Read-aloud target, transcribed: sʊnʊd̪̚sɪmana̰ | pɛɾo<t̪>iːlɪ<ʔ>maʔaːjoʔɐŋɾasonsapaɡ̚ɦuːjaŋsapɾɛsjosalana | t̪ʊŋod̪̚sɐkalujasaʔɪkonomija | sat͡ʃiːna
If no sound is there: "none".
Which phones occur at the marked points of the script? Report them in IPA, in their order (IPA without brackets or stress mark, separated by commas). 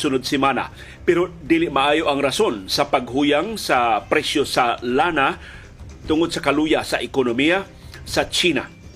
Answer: d̪, ʔ